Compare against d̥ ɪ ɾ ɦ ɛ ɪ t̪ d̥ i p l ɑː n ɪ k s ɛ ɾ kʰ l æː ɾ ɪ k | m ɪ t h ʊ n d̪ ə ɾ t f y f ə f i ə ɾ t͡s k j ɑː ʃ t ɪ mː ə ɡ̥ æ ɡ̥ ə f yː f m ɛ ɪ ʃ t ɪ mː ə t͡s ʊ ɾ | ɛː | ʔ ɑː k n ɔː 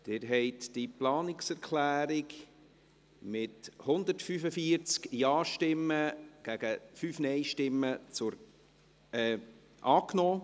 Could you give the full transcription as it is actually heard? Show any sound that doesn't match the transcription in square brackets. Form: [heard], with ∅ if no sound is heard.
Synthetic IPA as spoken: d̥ ɪ ɾ ɦ ɛ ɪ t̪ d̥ i p l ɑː n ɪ k s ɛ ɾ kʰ l æː ɾ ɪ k | m ɪ t h ʊ n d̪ ə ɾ t f y f ə f i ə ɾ t͡s k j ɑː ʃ t ɪ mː ə ɡ̥ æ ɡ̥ ə f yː f [n] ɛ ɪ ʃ t ɪ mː ə t͡s ʊ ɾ | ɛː | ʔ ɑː k n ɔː